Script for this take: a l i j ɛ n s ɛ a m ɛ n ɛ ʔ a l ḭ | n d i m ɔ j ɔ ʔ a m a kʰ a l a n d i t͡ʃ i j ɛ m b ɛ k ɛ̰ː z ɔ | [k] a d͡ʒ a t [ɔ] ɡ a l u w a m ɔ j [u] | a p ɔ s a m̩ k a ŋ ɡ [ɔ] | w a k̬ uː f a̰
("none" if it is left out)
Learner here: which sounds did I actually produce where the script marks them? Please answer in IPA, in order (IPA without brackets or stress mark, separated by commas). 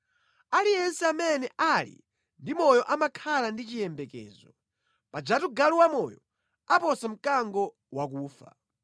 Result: p, u, ɔ, ɔ